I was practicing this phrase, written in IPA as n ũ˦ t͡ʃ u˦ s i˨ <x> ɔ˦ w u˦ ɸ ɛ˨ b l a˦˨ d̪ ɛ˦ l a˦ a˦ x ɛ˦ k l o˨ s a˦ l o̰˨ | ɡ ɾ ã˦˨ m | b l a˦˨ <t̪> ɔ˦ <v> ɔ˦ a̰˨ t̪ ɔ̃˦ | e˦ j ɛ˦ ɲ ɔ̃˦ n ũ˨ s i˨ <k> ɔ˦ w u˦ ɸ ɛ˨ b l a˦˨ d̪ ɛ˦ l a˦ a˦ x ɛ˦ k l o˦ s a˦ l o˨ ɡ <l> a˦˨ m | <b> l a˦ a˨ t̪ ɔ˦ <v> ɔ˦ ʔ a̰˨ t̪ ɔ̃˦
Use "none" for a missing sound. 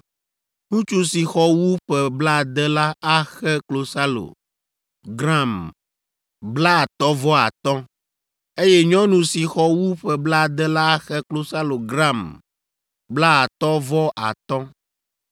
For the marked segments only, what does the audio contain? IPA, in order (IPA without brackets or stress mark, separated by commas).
x, t̪, v, x, ɾ, b, v